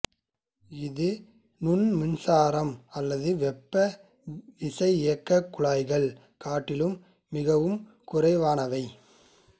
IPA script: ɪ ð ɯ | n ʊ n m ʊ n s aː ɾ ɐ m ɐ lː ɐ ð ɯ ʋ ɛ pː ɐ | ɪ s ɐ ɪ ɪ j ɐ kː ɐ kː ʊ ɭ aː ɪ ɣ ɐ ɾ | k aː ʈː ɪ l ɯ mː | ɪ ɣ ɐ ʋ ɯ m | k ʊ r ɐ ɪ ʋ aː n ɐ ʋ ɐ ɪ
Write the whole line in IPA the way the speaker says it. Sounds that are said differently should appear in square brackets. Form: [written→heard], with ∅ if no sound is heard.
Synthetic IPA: ɪ ð ɯ | n ʊ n m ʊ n s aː ɾ ɐ m ɐ lː ɐ ð ɯ ʋ ɛ pː ɐ | ɪ s ɐ ɪ ɪ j ɐ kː ɐ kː ʊ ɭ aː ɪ ɣ ɐ [ɾ→ɭ] | k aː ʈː ɪ l ɯ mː | ɪ ɣ ɐ ʋ ɯ m | k ʊ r ɐ ɪ ʋ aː n ɐ ʋ ɐ ɪ

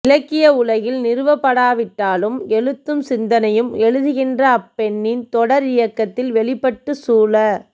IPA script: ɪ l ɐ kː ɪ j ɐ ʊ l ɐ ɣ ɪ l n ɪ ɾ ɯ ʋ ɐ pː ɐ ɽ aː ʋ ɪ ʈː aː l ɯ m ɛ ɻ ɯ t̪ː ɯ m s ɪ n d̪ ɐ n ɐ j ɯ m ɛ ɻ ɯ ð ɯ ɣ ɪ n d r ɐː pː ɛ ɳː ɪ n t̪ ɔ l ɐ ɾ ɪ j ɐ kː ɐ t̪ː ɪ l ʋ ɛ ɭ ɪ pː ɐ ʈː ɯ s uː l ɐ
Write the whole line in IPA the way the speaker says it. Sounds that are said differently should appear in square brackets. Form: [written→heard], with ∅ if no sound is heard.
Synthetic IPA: ɪ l ɐ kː ɪ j ɐ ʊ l ɐ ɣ ɪ l n ɪ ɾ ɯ ʋ ɐ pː ɐ ɽ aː ʋ ɪ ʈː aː l ɯ m ɛ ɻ ɯ t̪ː ɯ m s ɪ n d̪ ɐ n ɐ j ɯ m ɛ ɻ ɯ ð ɯ ɣ ɪ n d r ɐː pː ɛ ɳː ɪ n t̪ ɔ [l→ɽ] ɐ ɾ ɪ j ɐ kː ɐ t̪ː ɪ l ʋ ɛ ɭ ɪ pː ɐ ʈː ɯ s uː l ɐ

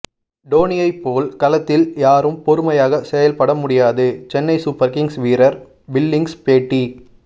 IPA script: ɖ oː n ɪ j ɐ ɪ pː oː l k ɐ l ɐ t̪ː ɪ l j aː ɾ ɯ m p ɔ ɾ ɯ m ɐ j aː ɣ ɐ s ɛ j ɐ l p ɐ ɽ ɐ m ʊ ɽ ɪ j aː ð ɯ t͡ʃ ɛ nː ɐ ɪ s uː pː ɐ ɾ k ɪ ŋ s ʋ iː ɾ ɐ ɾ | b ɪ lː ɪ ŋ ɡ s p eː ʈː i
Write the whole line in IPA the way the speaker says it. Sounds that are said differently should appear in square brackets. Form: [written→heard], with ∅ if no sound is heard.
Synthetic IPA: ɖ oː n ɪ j ɐ ɪ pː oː l k ɐ l ɐ t̪ː ɪ l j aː ɾ ɯ m p ɔ ɾ ɯ m ɐ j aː ɣ ɐ s ɛ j ɐ l p ɐ ɽ ɐ m ʊ ɽ ɪ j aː ð ɯ t͡ʃ ɛ nː ɐ ɪ s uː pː ɐ ɾ k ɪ ŋ s ʋ iː ɾ ɐ ɾ | b ɪ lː ɪ ŋ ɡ s p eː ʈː i

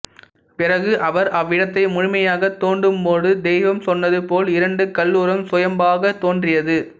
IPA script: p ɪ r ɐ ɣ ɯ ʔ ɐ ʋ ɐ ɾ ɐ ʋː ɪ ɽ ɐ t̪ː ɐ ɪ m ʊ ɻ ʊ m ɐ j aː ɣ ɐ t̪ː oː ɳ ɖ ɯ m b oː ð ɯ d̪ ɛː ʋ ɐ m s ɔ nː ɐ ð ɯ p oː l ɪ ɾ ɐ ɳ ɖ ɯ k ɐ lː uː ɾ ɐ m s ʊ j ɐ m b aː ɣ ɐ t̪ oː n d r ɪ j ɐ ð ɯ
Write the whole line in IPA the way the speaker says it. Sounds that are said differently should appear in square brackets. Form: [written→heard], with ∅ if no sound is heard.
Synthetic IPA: p ɪ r ɐ ɣ ɯ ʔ ɐ ʋ ɐ ɾ ɐ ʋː ɪ ɽ ɐ t̪ː ɐ ɪ m ʊ ɻ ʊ m ɐ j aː ɣ ɐ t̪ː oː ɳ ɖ ɯ m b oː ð ɯ d̪ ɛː ʋ ɐ m s ɔ nː ɐ ð ɯ p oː l ɪ ɾ ɐ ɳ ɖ ɯ k ɐ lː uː ɾ ɐ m s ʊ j ɐ m b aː ɣ ɐ t̪ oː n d r ɪ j ɐ ð ɯ

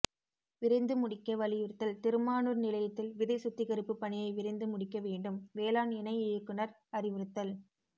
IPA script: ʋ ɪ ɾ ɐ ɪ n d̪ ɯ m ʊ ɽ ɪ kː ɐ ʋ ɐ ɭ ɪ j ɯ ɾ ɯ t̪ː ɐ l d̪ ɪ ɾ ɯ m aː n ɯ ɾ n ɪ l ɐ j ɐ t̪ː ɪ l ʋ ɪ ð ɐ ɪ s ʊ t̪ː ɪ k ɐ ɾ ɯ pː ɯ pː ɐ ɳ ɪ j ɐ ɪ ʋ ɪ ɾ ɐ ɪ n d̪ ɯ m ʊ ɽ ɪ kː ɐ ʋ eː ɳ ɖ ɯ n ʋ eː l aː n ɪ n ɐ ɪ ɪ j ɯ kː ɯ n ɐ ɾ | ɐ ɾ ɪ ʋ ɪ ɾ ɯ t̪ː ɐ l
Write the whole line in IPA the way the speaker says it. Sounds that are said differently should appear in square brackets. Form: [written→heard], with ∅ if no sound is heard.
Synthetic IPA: ʋ ɪ ɾ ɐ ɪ n d̪ ɯ m ʊ ɽ ɪ kː ɐ ʋ ɐ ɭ ɪ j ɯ ɾ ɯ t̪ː ɐ l [d̪→t̪] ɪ ɾ ɯ m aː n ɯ ɾ n ɪ l ɐ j ɐ t̪ː ɪ l ʋ ɪ ð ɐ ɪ s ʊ t̪ː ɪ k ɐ ɾ ɯ pː ɯ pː ɐ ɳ ɪ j ɐ ɪ ʋ ɪ ɾ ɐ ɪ n d̪ ɯ m ʊ ɽ ɪ kː ɐ ʋ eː ɳ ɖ ɯ [n→m] ʋ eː l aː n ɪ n ɐ ɪ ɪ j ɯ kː ɯ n ɐ ɾ | ɐ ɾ ɪ ʋ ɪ ɾ ɯ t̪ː ɐ l

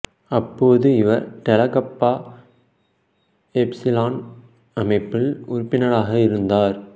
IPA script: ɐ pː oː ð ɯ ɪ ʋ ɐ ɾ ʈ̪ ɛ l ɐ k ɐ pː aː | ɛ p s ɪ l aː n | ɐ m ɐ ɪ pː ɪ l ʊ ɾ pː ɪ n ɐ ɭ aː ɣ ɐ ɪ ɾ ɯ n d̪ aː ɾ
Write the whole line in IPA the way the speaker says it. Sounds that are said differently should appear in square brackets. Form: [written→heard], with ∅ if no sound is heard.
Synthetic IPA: ɐ pː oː ð ɯ ɪ ʋ ɐ ɾ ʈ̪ ɛ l ɐ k ɐ pː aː | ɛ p s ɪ l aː n | ɐ m ɐ ɪ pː ɪ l ʊ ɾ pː ɪ n ɐ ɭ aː ɣ ɐ ɪ ɾ ɯ n d̪ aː ɾ

